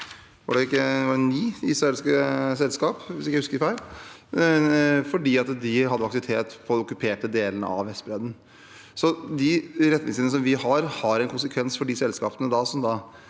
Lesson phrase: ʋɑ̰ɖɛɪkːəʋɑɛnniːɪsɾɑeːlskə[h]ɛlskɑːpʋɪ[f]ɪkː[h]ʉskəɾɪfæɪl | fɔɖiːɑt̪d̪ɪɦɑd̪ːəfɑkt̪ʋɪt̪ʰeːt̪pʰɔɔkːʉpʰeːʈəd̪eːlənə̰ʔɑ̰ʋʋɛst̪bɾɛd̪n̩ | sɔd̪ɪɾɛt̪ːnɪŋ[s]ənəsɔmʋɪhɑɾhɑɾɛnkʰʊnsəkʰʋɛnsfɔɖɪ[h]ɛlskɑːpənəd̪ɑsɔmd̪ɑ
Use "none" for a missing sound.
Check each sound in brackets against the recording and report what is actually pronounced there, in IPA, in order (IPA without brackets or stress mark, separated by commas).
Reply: s, s, h, s, s